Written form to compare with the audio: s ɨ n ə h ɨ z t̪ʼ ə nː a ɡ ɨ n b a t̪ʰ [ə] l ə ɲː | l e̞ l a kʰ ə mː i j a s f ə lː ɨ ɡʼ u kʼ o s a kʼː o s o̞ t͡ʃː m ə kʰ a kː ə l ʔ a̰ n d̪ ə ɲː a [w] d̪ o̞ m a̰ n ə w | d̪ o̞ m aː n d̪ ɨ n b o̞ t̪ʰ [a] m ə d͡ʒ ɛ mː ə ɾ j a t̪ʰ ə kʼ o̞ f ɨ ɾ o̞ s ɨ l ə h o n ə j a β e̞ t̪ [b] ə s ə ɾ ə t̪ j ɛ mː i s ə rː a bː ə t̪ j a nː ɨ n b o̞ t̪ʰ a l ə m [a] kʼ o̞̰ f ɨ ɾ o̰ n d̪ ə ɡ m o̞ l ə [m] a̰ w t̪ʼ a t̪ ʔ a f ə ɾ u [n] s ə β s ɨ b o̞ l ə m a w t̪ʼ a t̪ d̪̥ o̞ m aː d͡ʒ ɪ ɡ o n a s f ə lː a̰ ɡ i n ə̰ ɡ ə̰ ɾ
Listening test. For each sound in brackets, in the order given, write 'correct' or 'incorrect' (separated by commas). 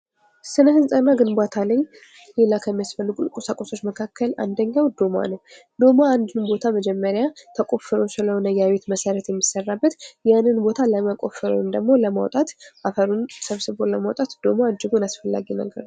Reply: incorrect, correct, correct, incorrect, incorrect, correct, correct